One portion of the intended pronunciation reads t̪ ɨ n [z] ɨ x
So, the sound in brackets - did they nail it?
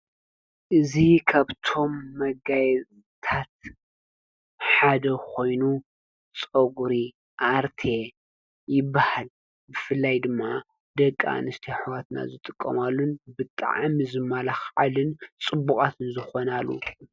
yes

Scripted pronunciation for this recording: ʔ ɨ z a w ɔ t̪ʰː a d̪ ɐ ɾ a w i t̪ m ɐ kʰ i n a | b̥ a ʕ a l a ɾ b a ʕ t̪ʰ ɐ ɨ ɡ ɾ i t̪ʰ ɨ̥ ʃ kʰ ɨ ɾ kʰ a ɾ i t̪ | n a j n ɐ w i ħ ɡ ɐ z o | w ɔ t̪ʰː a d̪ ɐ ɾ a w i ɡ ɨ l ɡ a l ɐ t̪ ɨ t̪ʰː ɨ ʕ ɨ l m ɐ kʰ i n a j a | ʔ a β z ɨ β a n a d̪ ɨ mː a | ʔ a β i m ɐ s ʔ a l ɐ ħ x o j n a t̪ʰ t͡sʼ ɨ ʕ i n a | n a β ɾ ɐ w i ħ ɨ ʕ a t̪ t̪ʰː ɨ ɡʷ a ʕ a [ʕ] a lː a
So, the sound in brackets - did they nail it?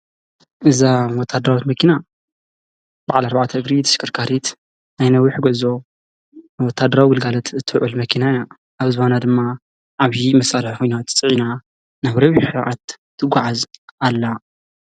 no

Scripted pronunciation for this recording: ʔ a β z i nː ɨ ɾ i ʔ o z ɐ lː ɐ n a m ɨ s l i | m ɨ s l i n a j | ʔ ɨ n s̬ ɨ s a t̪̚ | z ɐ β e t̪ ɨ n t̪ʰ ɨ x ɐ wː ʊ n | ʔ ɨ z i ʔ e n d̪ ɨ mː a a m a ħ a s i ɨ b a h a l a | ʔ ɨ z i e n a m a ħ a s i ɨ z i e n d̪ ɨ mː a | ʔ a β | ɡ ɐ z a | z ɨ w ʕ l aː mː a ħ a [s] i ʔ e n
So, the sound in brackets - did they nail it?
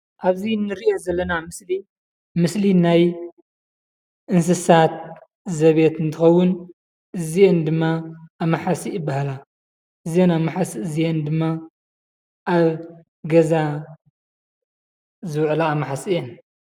yes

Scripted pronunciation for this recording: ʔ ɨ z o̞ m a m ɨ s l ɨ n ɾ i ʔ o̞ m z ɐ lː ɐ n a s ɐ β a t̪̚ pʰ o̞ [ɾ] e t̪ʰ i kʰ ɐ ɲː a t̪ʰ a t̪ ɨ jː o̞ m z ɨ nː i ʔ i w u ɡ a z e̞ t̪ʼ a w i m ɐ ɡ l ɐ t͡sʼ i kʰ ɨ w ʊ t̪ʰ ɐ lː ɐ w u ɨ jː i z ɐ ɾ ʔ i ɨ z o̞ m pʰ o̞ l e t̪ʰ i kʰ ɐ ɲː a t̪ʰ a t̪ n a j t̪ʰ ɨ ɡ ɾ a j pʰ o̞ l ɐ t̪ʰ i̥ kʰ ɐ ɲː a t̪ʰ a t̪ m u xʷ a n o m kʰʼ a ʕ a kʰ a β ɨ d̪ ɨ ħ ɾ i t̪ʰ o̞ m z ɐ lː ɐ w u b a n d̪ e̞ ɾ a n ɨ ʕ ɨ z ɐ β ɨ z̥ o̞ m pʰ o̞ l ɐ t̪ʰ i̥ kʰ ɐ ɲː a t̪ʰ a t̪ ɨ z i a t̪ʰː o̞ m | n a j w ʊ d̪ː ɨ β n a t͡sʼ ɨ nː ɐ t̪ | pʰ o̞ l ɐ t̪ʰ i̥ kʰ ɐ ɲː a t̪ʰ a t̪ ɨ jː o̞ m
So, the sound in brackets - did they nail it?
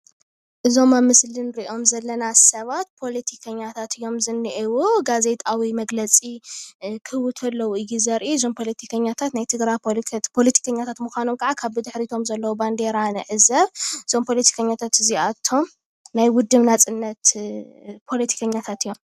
no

